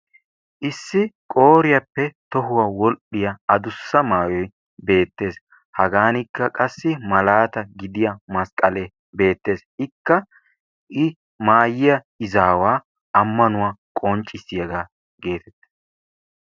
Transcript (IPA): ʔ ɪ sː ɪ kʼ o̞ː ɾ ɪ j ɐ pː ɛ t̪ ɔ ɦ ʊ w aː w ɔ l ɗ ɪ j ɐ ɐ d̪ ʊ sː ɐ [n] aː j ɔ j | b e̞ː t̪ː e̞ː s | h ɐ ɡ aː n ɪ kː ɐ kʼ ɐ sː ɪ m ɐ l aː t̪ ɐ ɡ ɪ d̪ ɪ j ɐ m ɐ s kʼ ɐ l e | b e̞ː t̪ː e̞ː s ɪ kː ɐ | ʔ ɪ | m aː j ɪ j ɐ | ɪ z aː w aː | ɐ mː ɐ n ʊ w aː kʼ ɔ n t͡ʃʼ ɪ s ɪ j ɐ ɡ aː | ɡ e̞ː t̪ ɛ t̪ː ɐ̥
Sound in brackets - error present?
yes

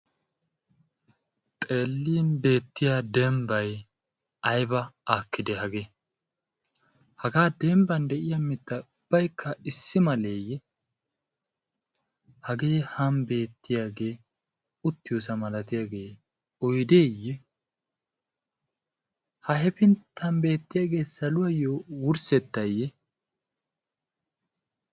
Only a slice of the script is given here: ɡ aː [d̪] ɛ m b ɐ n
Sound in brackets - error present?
no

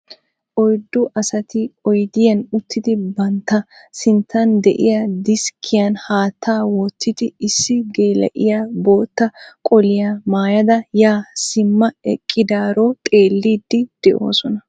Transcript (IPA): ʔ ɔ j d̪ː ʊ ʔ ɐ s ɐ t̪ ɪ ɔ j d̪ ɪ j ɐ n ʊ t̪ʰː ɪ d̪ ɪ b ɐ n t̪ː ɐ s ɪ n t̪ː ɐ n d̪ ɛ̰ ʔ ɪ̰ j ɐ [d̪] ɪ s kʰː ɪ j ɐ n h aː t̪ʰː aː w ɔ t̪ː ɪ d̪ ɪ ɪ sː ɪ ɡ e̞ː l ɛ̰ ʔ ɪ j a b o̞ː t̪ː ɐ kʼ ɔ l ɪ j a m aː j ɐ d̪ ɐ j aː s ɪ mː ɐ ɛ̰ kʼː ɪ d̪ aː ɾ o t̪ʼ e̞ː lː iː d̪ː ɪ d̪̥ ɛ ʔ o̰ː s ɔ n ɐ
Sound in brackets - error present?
no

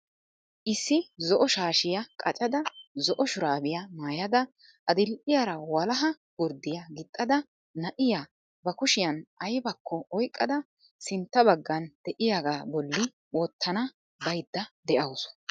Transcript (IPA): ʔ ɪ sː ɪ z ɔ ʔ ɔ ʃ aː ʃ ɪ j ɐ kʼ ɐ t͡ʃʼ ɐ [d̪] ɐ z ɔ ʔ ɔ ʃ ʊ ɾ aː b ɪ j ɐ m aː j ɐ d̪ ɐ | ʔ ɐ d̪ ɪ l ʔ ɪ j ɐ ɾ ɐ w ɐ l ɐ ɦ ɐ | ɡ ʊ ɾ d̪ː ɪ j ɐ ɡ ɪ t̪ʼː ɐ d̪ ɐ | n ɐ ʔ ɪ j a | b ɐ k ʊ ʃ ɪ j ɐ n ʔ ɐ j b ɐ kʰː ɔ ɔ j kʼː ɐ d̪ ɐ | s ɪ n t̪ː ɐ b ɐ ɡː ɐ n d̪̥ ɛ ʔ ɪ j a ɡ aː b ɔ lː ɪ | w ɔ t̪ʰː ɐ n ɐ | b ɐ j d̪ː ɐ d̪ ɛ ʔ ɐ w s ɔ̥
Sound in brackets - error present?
no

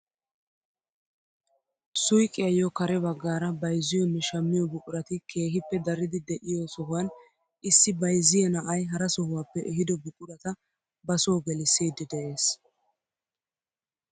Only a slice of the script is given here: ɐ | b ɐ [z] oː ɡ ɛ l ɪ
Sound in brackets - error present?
yes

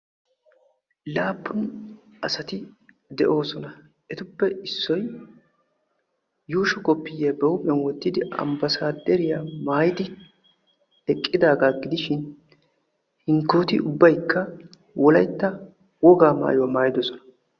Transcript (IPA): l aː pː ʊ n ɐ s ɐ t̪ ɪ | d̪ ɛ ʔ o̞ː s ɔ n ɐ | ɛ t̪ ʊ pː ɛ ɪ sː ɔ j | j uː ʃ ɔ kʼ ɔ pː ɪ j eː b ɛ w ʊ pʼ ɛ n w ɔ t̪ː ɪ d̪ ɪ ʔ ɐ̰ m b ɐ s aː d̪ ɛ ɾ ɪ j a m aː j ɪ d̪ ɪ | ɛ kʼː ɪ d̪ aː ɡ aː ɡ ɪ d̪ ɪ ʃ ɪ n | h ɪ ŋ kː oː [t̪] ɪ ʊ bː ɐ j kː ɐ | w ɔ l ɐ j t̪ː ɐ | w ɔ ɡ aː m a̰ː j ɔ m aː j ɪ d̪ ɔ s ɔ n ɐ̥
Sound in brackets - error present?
no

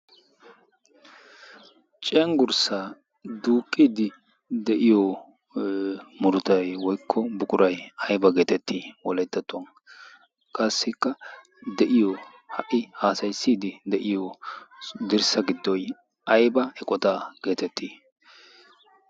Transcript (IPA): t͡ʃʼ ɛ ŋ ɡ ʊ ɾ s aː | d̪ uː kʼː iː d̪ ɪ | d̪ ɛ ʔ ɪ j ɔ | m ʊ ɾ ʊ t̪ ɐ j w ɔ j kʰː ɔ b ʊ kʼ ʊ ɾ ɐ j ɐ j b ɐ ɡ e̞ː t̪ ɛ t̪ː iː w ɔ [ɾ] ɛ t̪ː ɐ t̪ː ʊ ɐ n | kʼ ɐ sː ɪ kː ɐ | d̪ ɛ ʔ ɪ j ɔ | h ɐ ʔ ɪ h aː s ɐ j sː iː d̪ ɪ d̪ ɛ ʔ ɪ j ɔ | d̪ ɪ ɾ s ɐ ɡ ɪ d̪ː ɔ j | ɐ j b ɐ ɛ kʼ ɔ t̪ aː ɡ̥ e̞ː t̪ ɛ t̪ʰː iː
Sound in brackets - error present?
yes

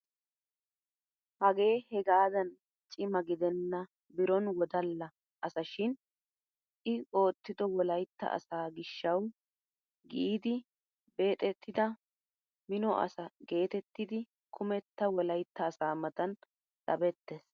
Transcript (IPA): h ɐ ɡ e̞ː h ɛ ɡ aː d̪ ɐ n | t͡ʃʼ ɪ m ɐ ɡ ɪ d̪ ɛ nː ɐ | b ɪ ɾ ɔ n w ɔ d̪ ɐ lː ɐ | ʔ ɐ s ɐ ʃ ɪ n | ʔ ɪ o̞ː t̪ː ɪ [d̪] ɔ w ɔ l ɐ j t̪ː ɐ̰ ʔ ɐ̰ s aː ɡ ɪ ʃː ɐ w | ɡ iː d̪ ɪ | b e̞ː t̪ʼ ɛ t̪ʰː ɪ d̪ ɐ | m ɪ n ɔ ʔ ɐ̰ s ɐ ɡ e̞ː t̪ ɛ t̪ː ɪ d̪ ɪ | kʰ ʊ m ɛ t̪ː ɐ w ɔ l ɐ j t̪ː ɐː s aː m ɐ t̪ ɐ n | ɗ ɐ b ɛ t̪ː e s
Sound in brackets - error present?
no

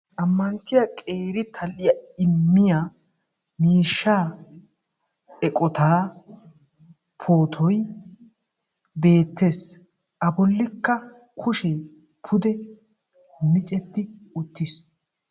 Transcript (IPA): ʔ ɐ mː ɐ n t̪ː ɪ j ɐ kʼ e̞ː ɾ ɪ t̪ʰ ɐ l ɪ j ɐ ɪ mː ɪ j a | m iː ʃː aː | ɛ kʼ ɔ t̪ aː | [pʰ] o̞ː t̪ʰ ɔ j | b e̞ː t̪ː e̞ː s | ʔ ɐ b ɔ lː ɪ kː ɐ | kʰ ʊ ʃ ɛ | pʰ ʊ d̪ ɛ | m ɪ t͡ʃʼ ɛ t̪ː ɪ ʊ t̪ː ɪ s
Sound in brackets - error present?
no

